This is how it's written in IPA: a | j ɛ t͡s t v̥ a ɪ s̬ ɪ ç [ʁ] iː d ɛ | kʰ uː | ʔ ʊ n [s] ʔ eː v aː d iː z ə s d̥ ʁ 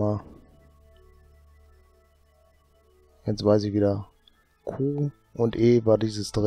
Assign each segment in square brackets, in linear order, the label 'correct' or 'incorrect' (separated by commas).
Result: incorrect, incorrect